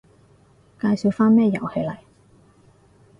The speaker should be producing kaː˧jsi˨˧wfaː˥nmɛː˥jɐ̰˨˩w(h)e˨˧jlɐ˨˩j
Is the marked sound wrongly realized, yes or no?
no